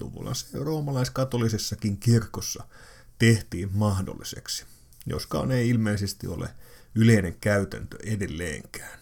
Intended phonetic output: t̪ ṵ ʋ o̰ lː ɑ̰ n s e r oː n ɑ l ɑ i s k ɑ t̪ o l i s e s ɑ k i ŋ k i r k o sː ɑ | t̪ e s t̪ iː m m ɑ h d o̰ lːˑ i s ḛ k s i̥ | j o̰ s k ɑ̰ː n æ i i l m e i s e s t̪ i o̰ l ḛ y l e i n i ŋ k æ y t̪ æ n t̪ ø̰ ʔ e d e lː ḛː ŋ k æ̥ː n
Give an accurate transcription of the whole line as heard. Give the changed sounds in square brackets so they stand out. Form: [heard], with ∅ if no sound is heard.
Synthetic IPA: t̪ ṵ ʋ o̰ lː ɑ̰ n s e r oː [m] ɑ l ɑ i s k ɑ t̪ o l i s e [sː] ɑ k i ŋ k i r k o sː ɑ | t̪ e [h] t̪ iː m m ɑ h d o̰ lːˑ i s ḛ k s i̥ | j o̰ s k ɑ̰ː n [e] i i l m e i s e s t̪ i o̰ l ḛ y l e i n [e] ŋ k æ y t̪ æ n t̪ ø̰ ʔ e d e lː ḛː ŋ k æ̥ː n